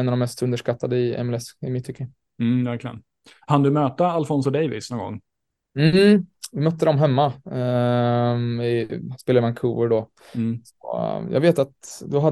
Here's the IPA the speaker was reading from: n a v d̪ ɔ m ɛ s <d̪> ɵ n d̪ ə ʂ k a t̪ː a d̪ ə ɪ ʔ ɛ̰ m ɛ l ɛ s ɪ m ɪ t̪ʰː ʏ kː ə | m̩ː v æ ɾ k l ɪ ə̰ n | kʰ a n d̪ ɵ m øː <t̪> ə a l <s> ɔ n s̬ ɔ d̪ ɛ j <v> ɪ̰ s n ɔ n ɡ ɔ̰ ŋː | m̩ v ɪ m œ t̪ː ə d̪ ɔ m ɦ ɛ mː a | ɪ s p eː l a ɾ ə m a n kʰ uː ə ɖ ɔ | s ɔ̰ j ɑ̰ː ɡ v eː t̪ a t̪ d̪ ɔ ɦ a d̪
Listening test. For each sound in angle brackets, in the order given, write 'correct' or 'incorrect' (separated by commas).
incorrect, correct, incorrect, correct